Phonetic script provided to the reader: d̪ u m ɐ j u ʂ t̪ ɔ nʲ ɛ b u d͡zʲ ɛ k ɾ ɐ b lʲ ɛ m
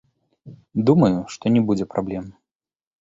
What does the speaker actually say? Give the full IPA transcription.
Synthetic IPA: d̪ u m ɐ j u ʂ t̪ ɔ nʲ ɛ b u d͡zʲ ɛ p ɾ a b lʲ ɛ m